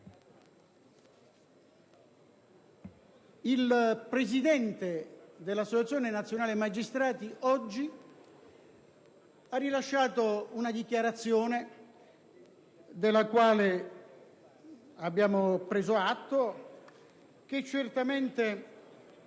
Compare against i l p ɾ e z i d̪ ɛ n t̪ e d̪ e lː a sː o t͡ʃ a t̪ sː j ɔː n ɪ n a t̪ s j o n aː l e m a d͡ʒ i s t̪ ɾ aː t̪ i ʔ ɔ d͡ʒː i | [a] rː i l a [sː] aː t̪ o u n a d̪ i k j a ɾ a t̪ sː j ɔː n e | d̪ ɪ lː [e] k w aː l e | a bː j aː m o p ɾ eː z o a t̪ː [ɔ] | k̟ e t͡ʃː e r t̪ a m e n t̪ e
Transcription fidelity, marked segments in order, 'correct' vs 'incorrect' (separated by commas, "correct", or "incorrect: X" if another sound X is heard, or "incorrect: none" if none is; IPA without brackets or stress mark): correct, incorrect: ʃː, incorrect: a, incorrect: o